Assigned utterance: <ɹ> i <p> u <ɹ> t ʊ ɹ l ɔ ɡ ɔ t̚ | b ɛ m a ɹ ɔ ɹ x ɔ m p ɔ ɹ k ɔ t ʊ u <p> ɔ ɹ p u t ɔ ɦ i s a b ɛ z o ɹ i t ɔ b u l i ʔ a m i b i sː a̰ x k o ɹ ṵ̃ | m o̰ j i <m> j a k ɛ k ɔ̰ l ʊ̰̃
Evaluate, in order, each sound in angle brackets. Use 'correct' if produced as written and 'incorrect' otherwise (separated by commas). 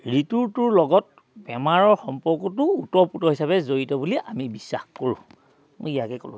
correct, incorrect, correct, incorrect, incorrect